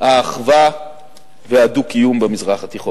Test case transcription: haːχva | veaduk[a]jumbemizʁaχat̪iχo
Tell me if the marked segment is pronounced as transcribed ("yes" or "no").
no